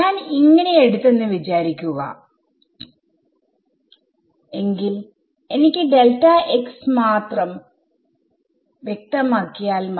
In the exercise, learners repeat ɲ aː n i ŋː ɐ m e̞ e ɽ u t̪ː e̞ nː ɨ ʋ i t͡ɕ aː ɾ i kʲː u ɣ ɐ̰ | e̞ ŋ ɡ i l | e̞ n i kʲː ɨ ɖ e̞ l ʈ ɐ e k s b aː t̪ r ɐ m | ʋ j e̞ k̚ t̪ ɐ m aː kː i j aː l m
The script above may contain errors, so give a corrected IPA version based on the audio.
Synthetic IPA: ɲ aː n i ŋː ɐ n e̞ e ɽ u t̪ː e̞ nː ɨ ʋ i t͡ɕ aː ɾ i kʲː u ɣ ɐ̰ | e̞ ŋ ɡ i l | e̞ n i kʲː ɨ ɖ e̞ l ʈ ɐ e k s m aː t̪ r ɐ m | ʋ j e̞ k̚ t̪ ɐ m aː kː i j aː l m

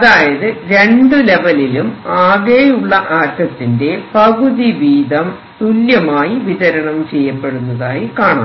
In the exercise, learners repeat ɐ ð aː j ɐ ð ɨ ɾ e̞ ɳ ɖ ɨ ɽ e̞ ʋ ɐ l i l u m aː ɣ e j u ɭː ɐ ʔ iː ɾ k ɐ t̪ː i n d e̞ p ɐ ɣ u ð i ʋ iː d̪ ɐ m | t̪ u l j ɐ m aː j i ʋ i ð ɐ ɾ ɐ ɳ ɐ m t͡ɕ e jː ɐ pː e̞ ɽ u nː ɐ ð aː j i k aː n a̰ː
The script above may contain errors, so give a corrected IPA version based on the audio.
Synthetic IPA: ɐ ð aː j ɐ ð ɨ ɾ e̞ ɳ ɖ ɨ l e̞ ʋ ɐ l i l u m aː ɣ e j u ɭː ɐ ʔ aː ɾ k ɐ t̪ː i n d e̞ p ɐ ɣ u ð i ʋ iː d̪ ɐ m | t̪ u l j ɐ m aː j i ʋ i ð ɐ ɾ ɐ ɳ ɐ m t͡ɕ e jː ɐ pː e̞ ɽ u nː ɐ ð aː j i k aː ɳ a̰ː

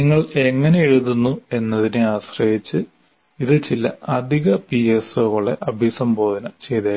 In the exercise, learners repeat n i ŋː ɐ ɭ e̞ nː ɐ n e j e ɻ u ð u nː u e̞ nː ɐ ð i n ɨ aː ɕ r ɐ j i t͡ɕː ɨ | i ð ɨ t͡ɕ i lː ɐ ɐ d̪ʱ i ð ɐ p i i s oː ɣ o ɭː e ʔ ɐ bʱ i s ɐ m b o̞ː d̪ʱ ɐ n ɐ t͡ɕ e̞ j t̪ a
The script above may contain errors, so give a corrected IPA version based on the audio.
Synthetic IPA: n i ŋː ɐ ɭ e̞ ŋː ɐ n e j e ɻ u ð u nː u e̞ nː ɐ ð i n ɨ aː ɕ r ɐ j i t͡ɕː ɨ | i ð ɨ t͡ɕ i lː ɐ ɐ d̪ʱ i ɣ ɐ p i e s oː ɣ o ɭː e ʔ ɐ bʱ i s ɐ m b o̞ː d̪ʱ ɐ n ɐ t͡ɕ e̞ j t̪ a

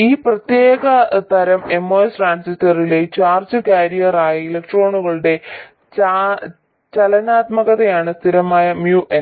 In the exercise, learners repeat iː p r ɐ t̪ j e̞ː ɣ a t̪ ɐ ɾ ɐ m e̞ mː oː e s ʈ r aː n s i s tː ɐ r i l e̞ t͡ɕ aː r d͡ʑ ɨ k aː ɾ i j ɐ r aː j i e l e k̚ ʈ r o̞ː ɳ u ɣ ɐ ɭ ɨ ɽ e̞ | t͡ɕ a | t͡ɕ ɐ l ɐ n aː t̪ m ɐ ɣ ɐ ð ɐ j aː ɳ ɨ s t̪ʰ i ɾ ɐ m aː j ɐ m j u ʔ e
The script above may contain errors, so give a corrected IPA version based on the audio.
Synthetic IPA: iː p r ɐ t̪ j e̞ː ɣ ɐ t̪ ɐ ɾ ɐ m e̞ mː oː e s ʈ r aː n s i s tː ɐ r i l e̞ t͡ɕ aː r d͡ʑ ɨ k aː ɾ i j ɐ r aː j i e l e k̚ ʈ r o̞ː ɳ u ɣ ɐ ɭ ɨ ɽ e̞ | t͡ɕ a | t͡ɕ ɐ l ɐ n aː t̪ m ɐ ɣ ɐ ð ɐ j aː ɳ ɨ s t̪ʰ i ɾ ɐ m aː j ɐ m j u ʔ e

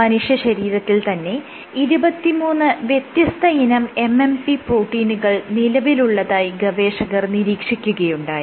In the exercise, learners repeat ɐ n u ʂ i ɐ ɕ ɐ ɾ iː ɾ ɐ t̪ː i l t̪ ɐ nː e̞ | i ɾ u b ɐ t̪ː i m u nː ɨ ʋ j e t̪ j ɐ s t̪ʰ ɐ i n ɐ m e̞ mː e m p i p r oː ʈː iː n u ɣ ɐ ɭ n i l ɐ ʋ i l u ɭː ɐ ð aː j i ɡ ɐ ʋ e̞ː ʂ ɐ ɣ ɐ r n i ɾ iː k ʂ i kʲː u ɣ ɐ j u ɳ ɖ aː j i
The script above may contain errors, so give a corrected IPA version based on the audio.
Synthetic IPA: ɐ n u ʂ j ɐ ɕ ɐ ɾ iː ɾ ɐ t̪ː i l t̪ ɐ nː e̞ | i ɾ u b ɐ t̪ː i m uː nː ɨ ʋ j e t̪ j ɐ s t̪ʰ ɐ i n ɐ m e̞ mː e m p i p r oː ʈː iː n u ɣ ɐ ɭ n i l ɐ ʋ i l u ɭː ɐ ð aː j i ɡ ɐ ʋ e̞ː ʂ ɐ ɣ ɐ r n i ɾ iː k ʂ i kʲː u ɣ ɐ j u ɳ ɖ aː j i

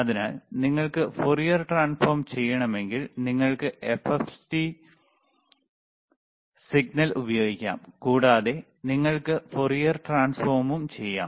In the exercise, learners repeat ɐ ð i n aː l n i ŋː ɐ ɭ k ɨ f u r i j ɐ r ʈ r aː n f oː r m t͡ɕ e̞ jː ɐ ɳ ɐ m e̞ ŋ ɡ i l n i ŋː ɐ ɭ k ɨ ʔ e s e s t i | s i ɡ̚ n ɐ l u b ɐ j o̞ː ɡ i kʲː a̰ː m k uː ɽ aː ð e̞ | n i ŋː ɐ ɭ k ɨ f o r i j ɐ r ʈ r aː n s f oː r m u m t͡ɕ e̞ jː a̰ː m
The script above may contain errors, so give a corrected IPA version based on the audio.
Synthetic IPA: ɐ ð i n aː l n i ŋː ɐ ɭ k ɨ f o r i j ɐ r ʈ r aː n f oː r m t͡ɕ e̞ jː ɐ ɳ ɐ m e̞ ŋ ɡ i l n i ŋː ɐ ɭ k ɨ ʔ e f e f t i | s i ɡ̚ n ɐ l u b ɐ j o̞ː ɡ i kʲː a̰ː m k uː ɽ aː ð e̞ | n i ŋː ɐ ɭ k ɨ f o r i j ɐ r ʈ r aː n s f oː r m u m t͡ɕ e̞ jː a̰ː m

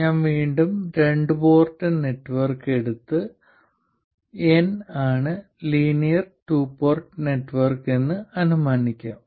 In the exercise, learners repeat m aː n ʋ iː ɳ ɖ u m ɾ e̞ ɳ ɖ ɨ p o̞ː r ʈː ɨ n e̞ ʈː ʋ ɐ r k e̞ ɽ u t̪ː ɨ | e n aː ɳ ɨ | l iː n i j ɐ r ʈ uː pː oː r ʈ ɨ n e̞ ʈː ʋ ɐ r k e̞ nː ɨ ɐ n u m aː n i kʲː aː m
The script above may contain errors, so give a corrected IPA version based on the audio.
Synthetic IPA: ɲ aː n ʋ iː ɳ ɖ u m ɾ e̞ ɳ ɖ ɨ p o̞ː r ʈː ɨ n e̞ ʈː ʋ ɐ r k e̞ ɽ u t̪ː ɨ | e n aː ɳ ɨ | l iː n i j ɐ r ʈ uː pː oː r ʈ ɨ n e̞ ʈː ʋ ɐ r k e̞ nː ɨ ɐ n u m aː n i kʲː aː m

